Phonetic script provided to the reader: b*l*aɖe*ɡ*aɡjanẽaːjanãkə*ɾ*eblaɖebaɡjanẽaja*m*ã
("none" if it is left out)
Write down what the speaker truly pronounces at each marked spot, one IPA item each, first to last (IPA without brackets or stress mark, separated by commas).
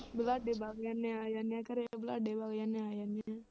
l, b, ɾ, n